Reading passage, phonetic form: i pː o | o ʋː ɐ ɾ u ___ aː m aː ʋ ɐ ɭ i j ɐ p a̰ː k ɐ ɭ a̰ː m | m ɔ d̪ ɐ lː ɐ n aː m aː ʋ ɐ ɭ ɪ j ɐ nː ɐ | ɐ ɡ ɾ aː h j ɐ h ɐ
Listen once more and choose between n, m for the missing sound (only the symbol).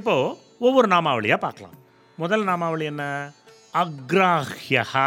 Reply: n